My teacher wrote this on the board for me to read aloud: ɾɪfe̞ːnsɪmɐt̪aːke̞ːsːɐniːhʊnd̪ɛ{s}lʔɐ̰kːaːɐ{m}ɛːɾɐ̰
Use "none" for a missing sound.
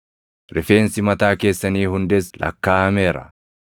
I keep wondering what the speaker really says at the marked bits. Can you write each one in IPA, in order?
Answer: s, m

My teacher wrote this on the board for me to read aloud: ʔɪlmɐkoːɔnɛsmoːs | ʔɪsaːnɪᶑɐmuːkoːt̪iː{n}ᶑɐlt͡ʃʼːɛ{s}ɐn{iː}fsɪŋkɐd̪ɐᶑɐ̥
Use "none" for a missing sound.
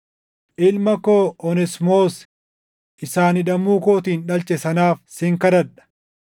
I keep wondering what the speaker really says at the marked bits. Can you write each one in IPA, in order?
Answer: n, s, aː

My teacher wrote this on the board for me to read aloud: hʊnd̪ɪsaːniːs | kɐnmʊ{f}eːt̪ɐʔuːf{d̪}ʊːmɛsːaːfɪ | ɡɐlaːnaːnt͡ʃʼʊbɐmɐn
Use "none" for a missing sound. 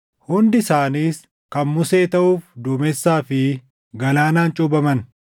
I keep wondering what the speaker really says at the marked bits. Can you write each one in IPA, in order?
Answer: s, d̪

